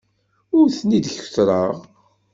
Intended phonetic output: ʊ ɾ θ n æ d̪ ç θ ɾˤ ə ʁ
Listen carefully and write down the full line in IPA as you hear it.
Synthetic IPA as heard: ʊ ɾ θ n i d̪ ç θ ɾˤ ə ʁ